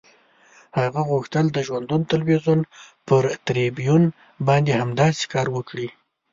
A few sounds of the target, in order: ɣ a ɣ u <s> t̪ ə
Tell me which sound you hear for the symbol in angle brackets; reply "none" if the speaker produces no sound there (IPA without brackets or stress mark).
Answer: x